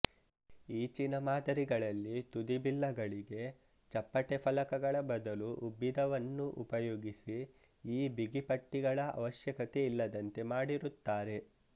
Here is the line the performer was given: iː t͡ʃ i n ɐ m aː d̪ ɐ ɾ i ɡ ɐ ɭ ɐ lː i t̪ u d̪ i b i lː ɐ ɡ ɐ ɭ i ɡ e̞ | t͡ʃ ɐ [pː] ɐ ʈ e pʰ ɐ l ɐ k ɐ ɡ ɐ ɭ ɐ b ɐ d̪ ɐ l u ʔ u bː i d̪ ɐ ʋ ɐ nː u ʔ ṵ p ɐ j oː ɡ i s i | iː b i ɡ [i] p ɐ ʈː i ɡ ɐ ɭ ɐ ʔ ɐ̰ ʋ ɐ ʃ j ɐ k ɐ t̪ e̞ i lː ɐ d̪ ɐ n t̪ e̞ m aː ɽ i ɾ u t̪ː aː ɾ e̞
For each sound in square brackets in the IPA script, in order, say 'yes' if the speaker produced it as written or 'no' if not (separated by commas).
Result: yes, yes